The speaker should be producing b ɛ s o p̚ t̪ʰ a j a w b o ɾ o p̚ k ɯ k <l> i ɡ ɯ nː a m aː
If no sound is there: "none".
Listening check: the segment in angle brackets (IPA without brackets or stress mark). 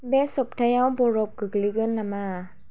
l